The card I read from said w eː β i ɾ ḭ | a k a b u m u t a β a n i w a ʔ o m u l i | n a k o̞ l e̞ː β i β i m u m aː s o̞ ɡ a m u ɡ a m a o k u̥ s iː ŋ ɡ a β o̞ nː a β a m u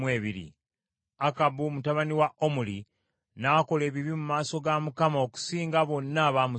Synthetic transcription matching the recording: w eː β i ɾ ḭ | a k a b u m u t a β a n i w a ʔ o m u l i | n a k o̞ l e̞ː β i β i m u m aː s o̞ ɡ a m u k a m a o k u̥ s iː ŋ ɡ a β o̞ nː a β a m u